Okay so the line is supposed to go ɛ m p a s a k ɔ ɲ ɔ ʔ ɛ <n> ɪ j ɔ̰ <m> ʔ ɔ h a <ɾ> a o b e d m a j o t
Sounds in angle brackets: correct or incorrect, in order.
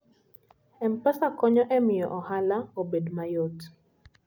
incorrect: m, incorrect: none, incorrect: l

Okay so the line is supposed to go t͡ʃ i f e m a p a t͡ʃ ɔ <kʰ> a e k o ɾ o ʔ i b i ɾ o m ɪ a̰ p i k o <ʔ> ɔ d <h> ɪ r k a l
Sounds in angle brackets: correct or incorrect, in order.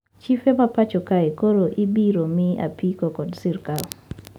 incorrect: k, incorrect: k, incorrect: s

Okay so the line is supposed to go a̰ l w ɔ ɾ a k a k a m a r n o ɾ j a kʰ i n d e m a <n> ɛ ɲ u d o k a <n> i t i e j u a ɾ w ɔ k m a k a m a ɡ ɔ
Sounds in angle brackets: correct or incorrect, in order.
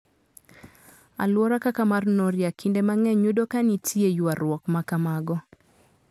incorrect: ŋ, correct

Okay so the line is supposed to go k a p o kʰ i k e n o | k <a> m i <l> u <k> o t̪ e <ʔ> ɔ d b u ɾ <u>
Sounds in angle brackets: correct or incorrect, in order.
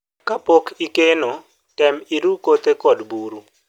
incorrect: ɛ, incorrect: ɾ, correct, incorrect: k, correct

